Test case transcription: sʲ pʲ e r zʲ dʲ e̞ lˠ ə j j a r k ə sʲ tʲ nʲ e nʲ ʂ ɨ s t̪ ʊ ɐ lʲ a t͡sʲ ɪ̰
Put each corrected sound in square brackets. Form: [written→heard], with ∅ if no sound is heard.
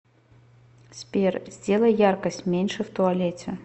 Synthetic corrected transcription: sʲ pʲ e r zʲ dʲ e̞ lˠ ə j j a r k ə sʲ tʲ [nʲ→mʲ] e nʲ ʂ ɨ [s→f] t̪ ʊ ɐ lʲ [a→e] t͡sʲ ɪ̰